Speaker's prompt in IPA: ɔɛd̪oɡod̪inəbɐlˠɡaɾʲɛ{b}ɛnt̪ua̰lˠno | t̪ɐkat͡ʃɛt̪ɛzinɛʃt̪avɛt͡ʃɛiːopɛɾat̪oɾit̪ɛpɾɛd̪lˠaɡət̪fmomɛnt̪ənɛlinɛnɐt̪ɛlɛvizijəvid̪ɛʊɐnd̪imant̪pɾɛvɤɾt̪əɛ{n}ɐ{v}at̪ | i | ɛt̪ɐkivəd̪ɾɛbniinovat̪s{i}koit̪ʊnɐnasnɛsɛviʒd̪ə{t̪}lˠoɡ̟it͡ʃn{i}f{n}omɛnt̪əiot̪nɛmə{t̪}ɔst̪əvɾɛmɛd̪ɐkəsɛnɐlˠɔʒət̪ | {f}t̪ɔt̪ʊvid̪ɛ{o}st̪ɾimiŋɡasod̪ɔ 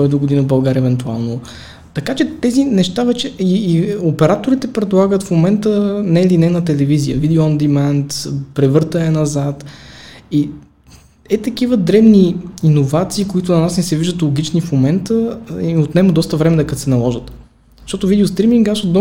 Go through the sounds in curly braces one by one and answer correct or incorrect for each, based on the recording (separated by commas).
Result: incorrect, correct, incorrect, incorrect, correct, correct, incorrect, incorrect, incorrect, correct